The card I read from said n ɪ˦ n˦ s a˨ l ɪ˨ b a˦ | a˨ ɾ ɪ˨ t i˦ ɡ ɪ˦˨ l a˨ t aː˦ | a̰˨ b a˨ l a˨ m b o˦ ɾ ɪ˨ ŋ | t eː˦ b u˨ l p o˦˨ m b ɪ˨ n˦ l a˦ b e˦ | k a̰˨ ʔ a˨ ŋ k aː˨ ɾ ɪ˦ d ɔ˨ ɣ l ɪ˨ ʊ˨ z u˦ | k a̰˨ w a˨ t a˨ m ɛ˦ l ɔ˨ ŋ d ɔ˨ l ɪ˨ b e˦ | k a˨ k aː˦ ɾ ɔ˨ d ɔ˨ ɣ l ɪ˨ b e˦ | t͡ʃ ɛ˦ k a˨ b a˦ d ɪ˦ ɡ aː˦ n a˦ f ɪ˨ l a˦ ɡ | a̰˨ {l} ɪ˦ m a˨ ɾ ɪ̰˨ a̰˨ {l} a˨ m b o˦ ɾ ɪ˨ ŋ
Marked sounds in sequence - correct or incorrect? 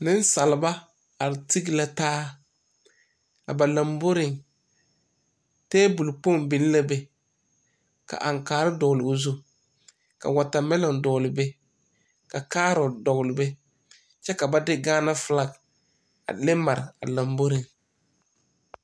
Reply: correct, correct

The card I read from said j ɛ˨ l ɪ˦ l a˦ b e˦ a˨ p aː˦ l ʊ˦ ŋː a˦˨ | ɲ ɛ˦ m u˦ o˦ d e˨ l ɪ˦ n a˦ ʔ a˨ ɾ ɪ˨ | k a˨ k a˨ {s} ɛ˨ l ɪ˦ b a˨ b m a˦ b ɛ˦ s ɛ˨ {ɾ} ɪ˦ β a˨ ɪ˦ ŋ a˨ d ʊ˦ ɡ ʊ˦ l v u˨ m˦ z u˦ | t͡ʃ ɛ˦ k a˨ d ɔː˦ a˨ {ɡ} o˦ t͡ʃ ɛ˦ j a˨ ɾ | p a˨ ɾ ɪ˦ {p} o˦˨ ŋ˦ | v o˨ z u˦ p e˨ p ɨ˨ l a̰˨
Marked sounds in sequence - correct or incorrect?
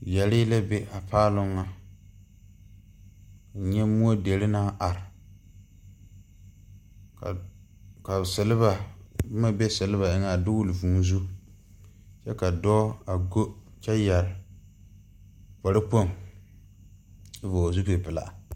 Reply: correct, incorrect: l, correct, correct

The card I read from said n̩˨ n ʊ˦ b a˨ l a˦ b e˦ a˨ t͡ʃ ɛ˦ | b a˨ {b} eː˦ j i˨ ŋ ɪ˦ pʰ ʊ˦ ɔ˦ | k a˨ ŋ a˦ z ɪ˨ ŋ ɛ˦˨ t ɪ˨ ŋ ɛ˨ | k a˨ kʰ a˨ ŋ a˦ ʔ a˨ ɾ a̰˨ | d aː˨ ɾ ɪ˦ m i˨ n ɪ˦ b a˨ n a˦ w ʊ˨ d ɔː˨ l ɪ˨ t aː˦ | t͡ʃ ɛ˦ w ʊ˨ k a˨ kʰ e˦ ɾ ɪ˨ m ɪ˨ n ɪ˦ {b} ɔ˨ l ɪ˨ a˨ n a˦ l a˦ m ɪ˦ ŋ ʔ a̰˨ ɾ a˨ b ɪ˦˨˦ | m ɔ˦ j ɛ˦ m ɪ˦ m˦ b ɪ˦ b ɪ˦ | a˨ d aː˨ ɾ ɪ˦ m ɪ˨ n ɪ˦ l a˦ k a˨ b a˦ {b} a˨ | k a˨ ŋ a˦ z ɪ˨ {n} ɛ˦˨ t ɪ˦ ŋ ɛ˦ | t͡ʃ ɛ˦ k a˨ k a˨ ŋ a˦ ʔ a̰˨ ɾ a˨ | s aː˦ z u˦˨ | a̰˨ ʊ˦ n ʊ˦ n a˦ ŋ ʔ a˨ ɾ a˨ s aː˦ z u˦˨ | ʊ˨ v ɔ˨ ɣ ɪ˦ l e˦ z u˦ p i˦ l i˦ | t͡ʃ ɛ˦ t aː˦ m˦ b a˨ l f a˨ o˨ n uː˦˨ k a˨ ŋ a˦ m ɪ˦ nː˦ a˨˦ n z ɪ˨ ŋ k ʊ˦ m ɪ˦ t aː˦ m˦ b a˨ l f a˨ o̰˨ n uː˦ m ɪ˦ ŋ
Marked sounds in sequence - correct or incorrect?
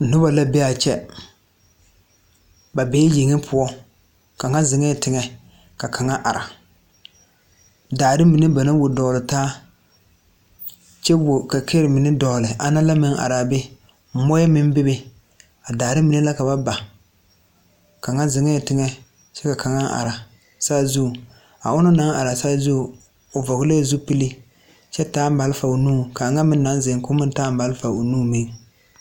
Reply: correct, incorrect: d, correct, incorrect: ŋ

